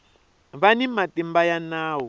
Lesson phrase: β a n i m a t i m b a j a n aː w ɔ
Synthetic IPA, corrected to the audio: β a n i m a t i m b a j a n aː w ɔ